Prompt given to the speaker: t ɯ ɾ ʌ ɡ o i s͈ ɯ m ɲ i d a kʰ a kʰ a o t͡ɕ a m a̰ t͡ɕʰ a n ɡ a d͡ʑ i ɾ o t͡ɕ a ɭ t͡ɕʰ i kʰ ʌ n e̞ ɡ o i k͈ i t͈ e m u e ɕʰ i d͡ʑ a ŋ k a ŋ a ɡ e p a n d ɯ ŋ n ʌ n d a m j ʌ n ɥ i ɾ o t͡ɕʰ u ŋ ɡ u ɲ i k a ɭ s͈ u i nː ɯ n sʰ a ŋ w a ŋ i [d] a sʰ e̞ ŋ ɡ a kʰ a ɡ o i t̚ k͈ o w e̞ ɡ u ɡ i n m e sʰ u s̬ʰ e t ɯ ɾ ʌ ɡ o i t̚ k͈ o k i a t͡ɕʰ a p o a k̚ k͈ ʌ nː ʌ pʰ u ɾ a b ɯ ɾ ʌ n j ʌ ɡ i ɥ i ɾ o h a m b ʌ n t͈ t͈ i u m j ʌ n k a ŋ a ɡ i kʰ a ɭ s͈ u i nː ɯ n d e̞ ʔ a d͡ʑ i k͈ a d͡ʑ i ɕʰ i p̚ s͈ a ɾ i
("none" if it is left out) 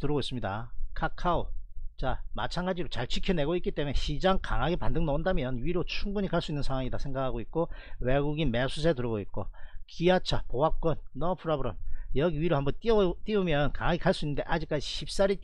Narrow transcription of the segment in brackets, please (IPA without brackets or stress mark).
d